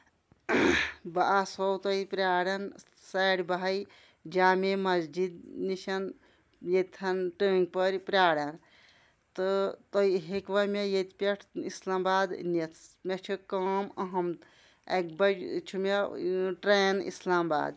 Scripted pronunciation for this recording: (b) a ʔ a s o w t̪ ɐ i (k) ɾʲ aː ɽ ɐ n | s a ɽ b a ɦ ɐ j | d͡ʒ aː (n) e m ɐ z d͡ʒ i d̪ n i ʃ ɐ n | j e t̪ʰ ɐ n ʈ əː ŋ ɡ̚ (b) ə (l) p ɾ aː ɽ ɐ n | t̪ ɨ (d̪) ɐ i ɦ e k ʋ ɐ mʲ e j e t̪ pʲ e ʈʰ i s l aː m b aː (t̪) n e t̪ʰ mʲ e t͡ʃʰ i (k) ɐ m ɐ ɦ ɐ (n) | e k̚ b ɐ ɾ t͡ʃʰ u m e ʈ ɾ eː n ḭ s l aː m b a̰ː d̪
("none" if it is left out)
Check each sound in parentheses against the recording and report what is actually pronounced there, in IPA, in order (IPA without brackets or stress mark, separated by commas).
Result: b, p, m, p, ɾ, t̪, d̪, k, m